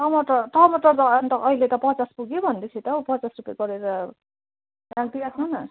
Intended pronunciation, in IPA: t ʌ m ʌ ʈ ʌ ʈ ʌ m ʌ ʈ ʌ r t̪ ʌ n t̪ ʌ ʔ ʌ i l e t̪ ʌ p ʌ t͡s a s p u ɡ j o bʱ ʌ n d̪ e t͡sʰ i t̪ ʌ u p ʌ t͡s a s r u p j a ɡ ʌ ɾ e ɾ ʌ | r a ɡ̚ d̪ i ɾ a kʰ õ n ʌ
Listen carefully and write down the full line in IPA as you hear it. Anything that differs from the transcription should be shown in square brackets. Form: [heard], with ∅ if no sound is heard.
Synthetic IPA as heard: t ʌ m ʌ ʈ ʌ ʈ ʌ m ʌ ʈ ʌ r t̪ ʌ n t̪ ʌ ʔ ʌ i l e t̪ ʌ p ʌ t͡s a s p u ɡ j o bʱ ʌ n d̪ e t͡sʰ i t̪ ʌ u p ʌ t͡s a s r u p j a ɡ ʌ ɾ e ɾ ʌ | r a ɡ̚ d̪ i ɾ a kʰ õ n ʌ